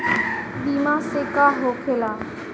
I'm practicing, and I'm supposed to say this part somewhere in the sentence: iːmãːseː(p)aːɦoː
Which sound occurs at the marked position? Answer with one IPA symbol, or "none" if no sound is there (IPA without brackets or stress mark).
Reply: k